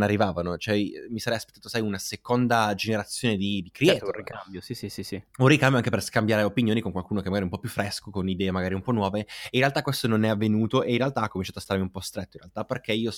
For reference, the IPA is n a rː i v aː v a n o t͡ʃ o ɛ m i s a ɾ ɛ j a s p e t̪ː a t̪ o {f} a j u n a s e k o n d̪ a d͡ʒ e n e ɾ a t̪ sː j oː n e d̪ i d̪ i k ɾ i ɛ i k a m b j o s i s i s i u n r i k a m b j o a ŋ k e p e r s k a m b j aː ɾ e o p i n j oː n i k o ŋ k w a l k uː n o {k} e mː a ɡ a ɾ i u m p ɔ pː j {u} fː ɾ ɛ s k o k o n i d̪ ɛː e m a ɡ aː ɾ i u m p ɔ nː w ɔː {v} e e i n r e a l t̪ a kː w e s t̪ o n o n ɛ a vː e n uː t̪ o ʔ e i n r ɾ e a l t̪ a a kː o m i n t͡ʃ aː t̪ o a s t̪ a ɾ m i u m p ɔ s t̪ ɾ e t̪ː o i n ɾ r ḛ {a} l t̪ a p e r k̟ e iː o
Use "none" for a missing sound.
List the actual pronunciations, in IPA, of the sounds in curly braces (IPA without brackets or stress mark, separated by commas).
s, k, u, v, a